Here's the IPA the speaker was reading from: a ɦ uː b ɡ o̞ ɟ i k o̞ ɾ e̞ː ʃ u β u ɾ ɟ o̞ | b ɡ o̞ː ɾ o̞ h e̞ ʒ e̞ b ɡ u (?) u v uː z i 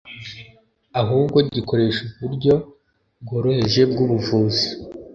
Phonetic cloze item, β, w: β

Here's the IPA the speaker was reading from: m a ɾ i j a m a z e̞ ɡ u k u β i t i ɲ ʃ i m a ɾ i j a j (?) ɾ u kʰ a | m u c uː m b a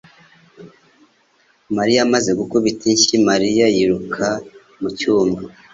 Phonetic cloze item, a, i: i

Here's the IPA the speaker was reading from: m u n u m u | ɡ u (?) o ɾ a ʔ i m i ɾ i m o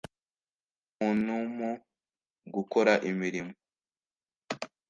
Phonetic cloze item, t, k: k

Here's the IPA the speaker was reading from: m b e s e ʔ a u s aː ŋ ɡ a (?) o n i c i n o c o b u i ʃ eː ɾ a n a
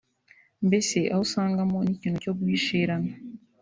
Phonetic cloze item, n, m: m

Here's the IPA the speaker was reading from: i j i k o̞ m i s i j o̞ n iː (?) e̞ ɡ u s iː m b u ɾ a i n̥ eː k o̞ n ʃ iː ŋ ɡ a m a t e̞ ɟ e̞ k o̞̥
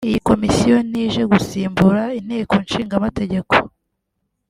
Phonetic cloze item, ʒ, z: ʒ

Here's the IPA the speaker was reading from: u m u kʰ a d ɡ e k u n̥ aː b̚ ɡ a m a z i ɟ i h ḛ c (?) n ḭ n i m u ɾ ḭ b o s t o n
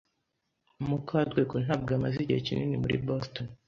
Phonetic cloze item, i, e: i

